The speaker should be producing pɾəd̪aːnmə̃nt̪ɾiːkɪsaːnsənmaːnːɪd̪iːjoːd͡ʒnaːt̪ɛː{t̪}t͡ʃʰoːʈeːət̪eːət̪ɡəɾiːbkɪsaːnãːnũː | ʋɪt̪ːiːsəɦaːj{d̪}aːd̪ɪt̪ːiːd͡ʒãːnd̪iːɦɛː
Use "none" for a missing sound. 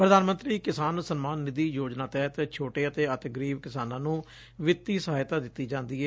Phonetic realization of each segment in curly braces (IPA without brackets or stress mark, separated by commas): t̪, t̪